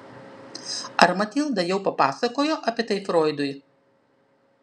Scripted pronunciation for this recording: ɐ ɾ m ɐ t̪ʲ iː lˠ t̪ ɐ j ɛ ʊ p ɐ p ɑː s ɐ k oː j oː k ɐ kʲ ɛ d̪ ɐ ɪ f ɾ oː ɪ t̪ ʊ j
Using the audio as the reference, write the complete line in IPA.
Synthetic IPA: ɐ ɾ m ɐ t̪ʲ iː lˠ d̪ ɐ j ɛ ʊ p ɐ p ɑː s ɐ k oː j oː ʔ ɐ pʲ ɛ t̪ ɐ ɪ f ɾ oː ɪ d̪ ʊ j